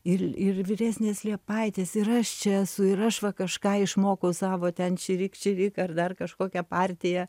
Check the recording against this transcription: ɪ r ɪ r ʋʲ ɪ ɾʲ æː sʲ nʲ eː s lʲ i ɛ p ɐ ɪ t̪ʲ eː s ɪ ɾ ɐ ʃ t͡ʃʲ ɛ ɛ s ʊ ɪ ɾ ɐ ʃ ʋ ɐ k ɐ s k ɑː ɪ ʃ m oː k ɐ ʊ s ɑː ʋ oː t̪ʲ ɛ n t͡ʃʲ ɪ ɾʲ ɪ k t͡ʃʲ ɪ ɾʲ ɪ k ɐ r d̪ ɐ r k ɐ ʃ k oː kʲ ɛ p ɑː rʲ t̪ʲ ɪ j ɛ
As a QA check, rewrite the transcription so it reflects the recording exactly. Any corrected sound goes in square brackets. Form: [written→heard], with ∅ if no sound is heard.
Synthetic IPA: ɪ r ɪ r ʋʲ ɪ ɾʲ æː sʲ nʲ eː s lʲ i ɛ p ɐ ɪ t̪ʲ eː s ɪ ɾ ɐ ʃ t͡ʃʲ ɛ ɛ s ʊ ɪ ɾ ɐ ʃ ʋ ɐ k ɐ [s→ʃ] k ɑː ɪ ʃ m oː k ɐ ʊ s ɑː ʋ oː t̪ʲ ɛ n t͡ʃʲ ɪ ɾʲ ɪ k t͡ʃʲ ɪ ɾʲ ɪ k ɐ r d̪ ɐ r k ɐ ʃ k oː kʲ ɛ p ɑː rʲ t̪ʲ ɪ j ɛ

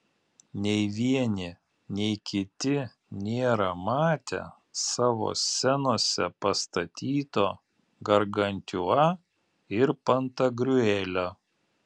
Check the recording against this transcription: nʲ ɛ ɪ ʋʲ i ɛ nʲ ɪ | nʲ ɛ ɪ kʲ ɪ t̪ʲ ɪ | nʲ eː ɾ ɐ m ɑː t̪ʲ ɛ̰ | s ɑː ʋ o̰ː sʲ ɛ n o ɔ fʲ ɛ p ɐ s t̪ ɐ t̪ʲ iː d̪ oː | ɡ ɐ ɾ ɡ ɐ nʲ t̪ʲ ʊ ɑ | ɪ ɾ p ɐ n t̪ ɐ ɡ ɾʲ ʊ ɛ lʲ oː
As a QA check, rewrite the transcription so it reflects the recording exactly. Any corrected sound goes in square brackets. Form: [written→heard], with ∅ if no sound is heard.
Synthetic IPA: nʲ ɛ ɪ ʋʲ i ɛ nʲ ɪ | nʲ ɛ ɪ kʲ ɪ t̪ʲ ɪ | nʲ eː ɾ ɐ m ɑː t̪ʲ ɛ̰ | s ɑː ʋ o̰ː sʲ ɛ n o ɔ [fʲ→sʲ] ɛ p ɐ s t̪ ɐ t̪ʲ iː [d̪→t̪] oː | ɡ ɐ ɾ ɡ ɐ nʲ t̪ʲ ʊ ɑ | ɪ ɾ p ɐ n t̪ ɐ ɡ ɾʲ ʊ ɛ lʲ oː

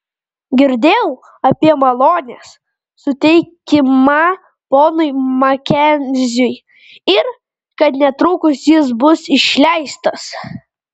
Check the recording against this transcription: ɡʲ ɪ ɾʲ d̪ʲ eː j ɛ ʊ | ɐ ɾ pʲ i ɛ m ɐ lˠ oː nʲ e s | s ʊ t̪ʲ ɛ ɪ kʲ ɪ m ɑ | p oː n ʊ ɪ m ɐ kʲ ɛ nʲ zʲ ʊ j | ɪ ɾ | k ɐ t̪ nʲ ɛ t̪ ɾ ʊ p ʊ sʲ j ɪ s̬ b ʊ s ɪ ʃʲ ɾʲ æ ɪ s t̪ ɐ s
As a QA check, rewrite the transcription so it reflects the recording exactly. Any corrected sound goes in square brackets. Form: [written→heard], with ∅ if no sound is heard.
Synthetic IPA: ɡʲ ɪ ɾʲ d̪ʲ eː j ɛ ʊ | ɐ [ɾ→∅] pʲ i ɛ m ɐ lˠ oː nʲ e s | s ʊ t̪ʲ ɛ ɪ kʲ ɪ m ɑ | p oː n ʊ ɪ m ɐ kʲ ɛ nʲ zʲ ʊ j | ɪ ɾ | k ɐ t̪ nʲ ɛ t̪ ɾ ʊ [p→k] ʊ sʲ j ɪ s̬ b ʊ s ɪ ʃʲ [ɾʲ→lʲ] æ ɪ s t̪ ɐ s

